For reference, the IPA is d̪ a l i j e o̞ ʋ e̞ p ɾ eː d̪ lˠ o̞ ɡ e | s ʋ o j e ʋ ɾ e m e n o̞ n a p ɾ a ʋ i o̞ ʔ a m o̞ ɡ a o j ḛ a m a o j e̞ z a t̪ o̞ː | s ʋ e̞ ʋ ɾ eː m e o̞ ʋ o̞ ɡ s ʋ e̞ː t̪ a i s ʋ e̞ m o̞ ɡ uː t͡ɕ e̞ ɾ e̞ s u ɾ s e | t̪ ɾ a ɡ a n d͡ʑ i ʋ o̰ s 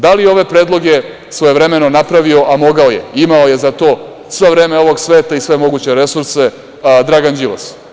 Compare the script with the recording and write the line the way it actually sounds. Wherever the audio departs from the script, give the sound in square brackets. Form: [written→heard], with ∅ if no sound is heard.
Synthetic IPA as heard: d̪ a l i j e o̞ ʋ e̞ p ɾ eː d̪ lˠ o̞ ɡ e | s ʋ o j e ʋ ɾ e m e n o̞ n a p ɾ a ʋ i o̞ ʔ a m o̞ ɡ a o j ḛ [a→i] m a o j e̞ z a t̪ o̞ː | s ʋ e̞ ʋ ɾ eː m e o̞ ʋ o̞ ɡ s ʋ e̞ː t̪ a i s ʋ e̞ m o̞ ɡ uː t͡ɕ e̞ ɾ e̞ s u ɾ s e | [t̪→d̪] ɾ a ɡ a n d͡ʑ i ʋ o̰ s